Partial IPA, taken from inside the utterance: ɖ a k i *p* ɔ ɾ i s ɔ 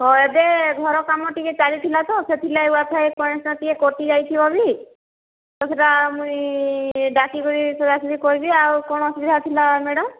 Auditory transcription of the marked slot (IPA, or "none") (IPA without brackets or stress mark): k